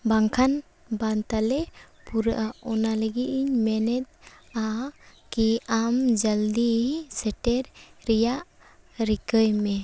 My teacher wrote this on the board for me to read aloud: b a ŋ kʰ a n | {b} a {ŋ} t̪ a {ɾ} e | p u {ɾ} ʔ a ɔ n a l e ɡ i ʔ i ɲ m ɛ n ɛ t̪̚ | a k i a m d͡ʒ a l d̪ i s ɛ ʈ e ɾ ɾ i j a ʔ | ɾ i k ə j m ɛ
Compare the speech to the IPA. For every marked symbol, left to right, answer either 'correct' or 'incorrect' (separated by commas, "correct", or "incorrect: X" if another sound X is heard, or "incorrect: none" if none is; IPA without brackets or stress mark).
correct, incorrect: n, incorrect: l, correct